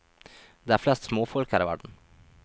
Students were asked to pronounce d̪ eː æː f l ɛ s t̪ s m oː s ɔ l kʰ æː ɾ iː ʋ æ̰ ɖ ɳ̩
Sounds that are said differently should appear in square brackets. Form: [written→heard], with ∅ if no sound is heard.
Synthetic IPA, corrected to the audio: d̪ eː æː f l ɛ s t̪ s m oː [s→f] ɔ l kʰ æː ɾ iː ʋ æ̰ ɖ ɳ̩